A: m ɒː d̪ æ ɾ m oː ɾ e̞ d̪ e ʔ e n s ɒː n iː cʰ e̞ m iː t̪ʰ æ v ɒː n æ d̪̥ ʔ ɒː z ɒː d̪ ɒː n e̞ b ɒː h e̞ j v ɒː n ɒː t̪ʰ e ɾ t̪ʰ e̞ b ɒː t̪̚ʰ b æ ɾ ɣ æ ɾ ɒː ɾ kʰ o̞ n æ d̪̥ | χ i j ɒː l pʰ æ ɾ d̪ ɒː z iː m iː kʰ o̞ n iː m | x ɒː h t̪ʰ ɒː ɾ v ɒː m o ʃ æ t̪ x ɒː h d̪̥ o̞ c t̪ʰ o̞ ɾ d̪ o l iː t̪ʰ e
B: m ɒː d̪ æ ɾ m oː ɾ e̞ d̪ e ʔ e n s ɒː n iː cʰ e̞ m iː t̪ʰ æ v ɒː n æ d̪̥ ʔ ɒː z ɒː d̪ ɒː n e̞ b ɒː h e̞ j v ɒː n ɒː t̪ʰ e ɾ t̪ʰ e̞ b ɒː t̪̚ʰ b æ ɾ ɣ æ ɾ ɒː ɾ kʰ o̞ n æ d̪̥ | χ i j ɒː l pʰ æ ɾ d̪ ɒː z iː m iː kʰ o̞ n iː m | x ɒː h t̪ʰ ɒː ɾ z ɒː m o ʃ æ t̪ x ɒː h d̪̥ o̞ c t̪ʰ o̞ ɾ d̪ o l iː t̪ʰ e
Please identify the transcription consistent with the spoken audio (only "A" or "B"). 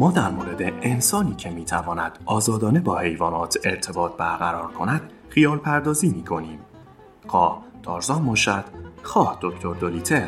B